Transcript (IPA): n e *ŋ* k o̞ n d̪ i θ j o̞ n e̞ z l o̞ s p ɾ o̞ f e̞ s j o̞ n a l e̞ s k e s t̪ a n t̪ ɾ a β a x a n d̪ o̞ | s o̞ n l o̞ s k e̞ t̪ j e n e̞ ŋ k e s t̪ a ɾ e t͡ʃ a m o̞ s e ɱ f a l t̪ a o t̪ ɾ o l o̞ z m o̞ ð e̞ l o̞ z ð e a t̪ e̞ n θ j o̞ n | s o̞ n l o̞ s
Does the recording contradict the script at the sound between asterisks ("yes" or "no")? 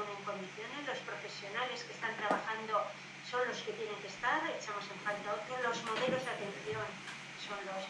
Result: no